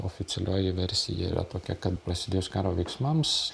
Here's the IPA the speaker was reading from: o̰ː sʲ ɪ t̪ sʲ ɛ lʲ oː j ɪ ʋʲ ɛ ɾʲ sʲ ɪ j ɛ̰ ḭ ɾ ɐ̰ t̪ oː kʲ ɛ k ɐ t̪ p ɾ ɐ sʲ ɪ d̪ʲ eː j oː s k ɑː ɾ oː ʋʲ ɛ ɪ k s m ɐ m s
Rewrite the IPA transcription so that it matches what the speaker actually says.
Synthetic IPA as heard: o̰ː fʲ ɪ t̪ sʲ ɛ lʲ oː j ɪ ʋʲ ɛ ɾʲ sʲ ɪ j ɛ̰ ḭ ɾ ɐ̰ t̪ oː kʲ ɛ k ɐ t̪ p ɾ ɐ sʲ ɪ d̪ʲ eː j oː s k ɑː ɾ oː ʋʲ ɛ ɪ k s m ɐ m s